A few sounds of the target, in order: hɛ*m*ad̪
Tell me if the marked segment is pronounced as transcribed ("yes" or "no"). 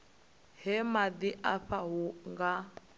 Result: yes